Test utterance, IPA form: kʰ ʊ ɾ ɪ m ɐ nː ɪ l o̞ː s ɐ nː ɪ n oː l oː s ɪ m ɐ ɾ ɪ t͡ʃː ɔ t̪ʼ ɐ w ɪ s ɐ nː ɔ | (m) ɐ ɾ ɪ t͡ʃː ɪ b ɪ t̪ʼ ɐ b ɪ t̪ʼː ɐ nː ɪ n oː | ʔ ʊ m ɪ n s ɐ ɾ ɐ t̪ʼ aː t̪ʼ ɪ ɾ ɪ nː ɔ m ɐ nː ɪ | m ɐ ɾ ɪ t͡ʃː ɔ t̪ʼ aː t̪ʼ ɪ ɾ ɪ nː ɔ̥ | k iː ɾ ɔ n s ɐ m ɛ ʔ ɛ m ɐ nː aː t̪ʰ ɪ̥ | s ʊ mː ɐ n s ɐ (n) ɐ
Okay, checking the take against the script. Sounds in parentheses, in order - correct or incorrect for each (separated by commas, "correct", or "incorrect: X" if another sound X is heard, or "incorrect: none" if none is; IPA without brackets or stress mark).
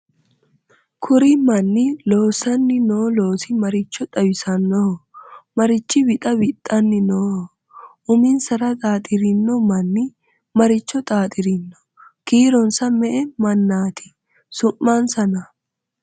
correct, correct